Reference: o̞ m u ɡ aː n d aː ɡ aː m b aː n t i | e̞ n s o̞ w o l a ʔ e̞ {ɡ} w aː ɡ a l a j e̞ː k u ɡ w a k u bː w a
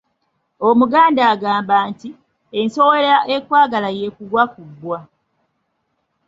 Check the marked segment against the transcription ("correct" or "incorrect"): incorrect